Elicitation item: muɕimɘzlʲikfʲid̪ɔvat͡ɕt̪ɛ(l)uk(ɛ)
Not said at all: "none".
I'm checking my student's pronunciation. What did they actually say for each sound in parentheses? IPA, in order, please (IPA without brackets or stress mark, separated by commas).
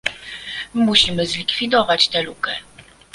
l, ɛ